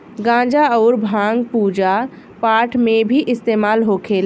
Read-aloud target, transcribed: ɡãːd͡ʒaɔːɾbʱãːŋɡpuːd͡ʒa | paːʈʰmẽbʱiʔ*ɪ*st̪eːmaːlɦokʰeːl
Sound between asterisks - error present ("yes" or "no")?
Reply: no